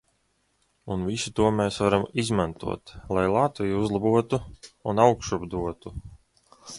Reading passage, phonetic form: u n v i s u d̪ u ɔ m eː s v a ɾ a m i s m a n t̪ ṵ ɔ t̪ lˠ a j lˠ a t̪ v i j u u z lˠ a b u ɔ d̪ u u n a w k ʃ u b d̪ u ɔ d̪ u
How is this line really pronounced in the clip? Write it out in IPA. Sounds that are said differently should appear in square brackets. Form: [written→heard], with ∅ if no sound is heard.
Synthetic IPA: u n v i s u [d̪→t̪] u ɔ m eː s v a ɾ a m i [s→z] m a n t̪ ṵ ɔ t̪ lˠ a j lˠ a t̪ v i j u u z lˠ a b u ɔ [d̪→t̪] u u n a w k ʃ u b d̪ u ɔ [d̪→t̪] u

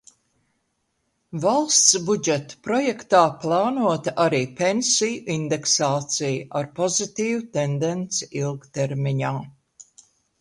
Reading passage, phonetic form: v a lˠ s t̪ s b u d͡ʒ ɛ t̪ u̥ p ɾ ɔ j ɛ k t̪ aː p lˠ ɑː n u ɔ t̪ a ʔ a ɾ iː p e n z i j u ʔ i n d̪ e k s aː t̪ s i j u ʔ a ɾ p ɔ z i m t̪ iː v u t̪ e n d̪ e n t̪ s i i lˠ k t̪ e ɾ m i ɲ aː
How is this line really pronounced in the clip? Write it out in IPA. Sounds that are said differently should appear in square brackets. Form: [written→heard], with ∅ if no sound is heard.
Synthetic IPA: v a lˠ s t̪ s b u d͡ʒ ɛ t̪ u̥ p ɾ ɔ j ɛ k t̪ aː p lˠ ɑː n u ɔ t̪ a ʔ a ɾ iː p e n [z→s] i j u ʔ i n d̪ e k s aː t̪ s i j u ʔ a ɾ p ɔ z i [m→∅] t̪ iː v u t̪ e n d̪ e n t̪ s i i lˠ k t̪ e ɾ m i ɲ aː

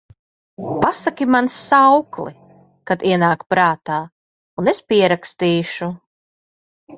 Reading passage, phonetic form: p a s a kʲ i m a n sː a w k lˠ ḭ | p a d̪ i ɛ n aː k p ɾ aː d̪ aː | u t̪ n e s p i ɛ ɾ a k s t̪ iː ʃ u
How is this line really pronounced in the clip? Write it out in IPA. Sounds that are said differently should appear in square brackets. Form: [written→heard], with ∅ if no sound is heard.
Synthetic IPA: p a s a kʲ i m a n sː a w k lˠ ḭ | [p→k] a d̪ i ɛ n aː k p ɾ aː [d̪→t̪] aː | u [t̪→∅] n e s p i ɛ ɾ a k s t̪ iː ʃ u

